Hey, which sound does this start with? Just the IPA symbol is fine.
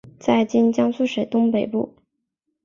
t͡s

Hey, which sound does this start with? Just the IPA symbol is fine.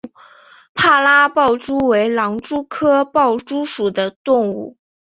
pʰ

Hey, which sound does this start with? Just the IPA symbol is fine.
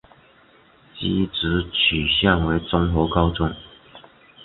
t͡ɕ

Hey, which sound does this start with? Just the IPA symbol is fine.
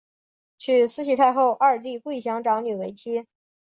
t͡ɕʰ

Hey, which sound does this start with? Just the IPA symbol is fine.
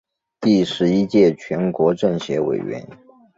t̪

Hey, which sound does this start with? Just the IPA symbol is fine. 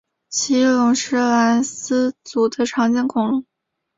t͡ɕʰ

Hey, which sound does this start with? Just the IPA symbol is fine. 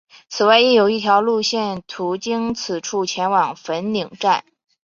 t͡sʰ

